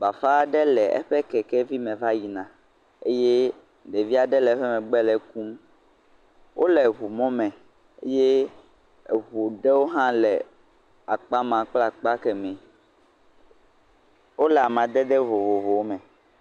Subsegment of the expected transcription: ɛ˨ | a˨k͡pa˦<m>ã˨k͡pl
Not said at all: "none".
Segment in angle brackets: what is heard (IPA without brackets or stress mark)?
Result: m